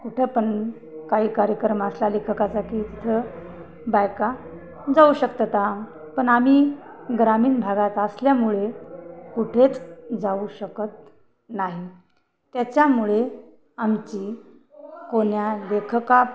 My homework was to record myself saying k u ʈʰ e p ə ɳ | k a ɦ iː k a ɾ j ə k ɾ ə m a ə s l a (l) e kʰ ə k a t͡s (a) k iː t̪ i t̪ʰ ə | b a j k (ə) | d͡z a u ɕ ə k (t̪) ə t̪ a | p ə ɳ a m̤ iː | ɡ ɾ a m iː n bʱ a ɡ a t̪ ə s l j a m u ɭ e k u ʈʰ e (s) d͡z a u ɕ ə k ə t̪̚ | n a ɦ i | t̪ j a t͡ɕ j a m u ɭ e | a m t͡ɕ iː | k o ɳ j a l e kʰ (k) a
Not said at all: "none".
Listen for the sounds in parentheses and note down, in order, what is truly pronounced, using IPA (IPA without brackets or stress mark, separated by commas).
l, a, a, t̪, t͡s, k